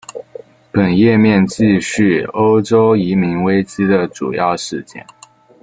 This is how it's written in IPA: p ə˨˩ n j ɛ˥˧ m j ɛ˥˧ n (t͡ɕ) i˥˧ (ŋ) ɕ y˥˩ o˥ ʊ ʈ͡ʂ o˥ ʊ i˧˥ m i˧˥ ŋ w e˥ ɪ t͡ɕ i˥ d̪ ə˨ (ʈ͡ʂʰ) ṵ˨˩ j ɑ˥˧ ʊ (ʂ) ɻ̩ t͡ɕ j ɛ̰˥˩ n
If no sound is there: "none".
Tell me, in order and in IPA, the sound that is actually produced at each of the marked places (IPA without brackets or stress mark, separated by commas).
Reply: t͡ɕ, none, ʈ͡ʂ, ʂ